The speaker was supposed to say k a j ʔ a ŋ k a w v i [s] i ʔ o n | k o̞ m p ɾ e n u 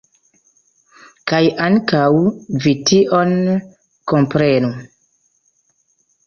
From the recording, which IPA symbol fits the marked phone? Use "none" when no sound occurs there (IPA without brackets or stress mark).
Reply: t